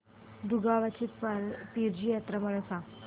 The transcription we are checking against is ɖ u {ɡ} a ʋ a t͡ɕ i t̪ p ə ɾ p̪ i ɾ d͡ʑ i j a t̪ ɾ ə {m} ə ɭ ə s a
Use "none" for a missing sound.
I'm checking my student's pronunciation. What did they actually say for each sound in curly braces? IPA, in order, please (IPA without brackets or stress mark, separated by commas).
ɡ, m